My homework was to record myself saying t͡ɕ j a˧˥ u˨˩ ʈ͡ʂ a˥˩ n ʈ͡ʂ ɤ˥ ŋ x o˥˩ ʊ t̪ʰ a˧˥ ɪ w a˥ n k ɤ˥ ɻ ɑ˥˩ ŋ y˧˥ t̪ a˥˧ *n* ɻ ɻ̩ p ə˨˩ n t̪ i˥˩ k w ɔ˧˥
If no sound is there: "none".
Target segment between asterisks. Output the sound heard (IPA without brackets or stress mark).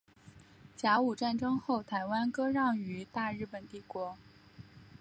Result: none